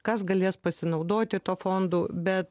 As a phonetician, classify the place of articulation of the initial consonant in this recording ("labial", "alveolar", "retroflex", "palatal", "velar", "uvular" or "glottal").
velar